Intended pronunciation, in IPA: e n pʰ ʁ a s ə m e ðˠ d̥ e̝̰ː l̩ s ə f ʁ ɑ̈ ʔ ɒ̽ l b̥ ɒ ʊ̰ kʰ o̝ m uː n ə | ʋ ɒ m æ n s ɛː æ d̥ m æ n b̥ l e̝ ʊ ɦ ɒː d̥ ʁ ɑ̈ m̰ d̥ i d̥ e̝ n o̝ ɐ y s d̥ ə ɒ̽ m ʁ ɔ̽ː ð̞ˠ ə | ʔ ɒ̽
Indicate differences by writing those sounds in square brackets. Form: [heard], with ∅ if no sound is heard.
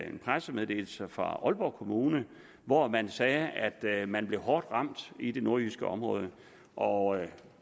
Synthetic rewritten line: e n pʰ ʁ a s ə m e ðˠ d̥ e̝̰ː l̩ s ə f ʁ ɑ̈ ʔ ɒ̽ l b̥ ɒ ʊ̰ kʰ o̝ m uː n ə | ʋ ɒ m æ n s ɛː æ d̥ m æ n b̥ l e̝ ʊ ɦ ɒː d̥ ʁ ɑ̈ m̰ d̥ i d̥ e̝ n o̝ ɐ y s [ɡ̥] ə ɒ̽ m ʁ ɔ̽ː ð̞ˠ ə | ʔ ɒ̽